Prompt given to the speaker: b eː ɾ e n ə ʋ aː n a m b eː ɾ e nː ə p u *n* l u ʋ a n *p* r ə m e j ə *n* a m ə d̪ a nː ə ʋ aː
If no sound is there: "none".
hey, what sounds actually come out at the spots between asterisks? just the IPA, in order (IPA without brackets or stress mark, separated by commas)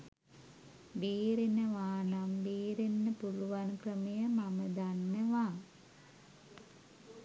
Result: none, k, m